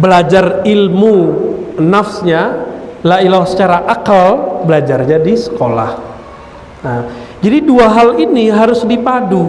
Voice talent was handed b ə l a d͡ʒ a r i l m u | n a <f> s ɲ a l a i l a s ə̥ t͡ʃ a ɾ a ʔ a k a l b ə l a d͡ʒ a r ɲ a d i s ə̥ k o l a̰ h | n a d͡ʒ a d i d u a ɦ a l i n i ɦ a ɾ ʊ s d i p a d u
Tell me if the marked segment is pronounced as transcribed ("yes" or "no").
yes